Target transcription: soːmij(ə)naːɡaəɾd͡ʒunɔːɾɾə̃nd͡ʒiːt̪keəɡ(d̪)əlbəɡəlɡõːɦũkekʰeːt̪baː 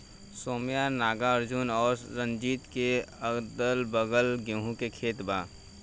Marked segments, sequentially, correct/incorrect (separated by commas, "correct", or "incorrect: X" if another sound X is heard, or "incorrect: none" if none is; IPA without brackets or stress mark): incorrect: a, correct